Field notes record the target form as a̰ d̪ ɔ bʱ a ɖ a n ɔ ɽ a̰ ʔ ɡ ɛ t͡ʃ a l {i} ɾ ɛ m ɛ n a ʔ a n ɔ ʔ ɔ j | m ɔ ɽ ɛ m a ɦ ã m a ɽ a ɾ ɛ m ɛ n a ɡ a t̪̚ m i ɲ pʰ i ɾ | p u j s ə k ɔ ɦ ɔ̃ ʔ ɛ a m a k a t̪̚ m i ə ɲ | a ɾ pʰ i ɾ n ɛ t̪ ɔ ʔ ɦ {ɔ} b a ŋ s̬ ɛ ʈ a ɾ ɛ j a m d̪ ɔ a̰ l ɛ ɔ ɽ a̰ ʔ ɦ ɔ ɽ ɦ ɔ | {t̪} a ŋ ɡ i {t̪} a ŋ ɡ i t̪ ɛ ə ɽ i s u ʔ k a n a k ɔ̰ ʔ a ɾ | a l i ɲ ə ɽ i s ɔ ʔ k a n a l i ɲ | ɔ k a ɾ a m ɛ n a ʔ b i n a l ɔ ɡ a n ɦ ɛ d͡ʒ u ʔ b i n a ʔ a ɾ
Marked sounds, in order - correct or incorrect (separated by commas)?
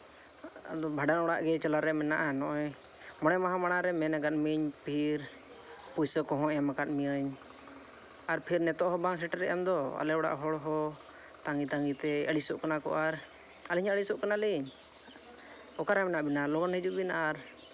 incorrect, correct, correct, correct